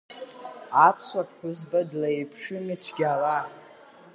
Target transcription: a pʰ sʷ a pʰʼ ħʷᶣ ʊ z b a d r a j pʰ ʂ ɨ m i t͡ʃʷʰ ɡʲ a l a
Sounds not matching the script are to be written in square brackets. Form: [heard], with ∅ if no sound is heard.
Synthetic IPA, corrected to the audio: a pʰ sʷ a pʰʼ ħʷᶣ ʊ z b a d [l] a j pʰ ʂ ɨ m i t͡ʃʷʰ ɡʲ a l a